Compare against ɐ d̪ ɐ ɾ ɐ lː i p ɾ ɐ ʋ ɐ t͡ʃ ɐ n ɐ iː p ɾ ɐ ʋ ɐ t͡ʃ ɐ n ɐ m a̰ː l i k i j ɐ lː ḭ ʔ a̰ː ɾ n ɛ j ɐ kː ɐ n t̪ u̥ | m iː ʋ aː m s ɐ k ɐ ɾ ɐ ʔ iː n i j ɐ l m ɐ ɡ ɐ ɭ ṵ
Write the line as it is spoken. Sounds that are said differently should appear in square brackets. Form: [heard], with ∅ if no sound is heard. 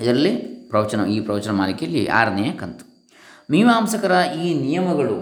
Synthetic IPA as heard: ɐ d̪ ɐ ɾ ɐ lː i p ɾ ɐ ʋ ɐ t͡ʃ ɐ n ɐ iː p ɾ ɐ ʋ ɐ t͡ʃ ɐ n ɐ m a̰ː l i k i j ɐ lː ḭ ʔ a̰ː ɾ n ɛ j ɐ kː ɐ n t̪ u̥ | m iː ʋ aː m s ɐ k ɐ ɾ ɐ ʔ iː n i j ɐ [∅] m ɐ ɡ ɐ ɭ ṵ